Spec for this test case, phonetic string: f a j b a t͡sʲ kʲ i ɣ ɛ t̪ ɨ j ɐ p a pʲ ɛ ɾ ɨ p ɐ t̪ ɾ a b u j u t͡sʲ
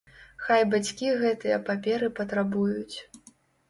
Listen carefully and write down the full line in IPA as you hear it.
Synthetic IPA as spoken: x a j b a t͡sʲ kʲ i ɣ ɛ t̪ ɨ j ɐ p a pʲ ɛ ɾ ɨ p ɐ t̪ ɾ a b u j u t͡sʲ